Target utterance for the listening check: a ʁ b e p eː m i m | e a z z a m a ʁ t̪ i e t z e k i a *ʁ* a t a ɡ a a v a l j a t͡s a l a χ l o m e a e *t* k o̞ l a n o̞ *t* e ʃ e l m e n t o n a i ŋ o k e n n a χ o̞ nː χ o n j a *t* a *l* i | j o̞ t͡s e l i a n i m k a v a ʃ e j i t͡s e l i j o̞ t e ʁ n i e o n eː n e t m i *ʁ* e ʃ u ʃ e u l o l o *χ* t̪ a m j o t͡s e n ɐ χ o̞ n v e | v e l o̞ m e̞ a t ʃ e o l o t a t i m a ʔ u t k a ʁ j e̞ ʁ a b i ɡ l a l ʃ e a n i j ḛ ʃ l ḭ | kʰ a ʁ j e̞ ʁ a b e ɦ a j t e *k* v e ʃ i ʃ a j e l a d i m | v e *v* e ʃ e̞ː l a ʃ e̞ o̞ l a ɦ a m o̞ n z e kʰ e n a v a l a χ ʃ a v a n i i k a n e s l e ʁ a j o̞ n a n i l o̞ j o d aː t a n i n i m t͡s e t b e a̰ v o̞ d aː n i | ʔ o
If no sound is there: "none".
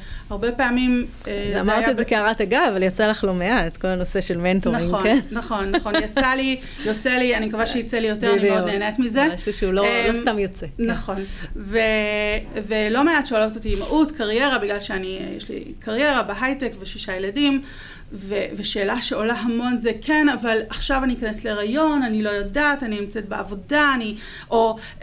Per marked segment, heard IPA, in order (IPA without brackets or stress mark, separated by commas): ʁ, t, s, t͡s, l, z, s, k, v